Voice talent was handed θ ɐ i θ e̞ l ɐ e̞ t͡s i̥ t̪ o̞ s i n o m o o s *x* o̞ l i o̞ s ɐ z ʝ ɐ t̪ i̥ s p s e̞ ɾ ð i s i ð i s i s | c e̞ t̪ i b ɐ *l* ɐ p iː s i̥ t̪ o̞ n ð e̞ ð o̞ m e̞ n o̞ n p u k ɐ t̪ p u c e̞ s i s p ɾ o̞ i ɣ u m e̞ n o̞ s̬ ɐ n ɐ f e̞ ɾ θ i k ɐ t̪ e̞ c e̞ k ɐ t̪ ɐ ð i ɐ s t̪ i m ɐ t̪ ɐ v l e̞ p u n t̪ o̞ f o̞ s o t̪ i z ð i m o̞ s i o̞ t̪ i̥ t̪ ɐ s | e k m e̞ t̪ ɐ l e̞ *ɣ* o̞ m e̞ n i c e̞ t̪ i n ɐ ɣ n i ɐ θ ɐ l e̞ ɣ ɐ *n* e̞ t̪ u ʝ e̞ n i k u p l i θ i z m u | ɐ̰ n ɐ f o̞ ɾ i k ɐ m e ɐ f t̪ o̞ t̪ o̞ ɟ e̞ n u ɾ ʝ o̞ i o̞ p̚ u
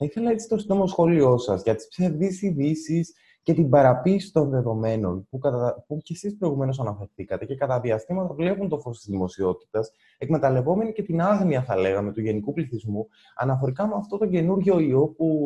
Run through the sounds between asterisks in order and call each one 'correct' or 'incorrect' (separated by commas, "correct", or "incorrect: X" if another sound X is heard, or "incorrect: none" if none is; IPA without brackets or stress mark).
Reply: correct, incorrect: ɾ, incorrect: v, incorrect: m